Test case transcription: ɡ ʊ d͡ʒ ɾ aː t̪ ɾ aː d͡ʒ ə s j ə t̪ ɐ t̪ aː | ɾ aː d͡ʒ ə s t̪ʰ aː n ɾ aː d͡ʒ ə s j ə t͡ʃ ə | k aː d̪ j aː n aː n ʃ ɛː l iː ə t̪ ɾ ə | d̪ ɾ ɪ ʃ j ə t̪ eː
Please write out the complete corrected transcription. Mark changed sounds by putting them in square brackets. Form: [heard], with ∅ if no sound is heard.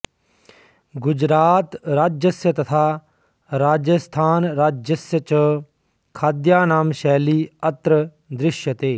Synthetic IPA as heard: ɡ ʊ d͡ʒ ɾ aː t̪ ɾ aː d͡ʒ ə s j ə t̪ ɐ [t̪ʰ] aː | ɾ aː d͡ʒ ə s t̪ʰ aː n ɾ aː d͡ʒ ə s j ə t͡ʃ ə | [kʰ] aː d̪ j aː n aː [m] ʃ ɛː l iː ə t̪ ɾ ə | d̪ ɾ ɪ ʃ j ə t̪ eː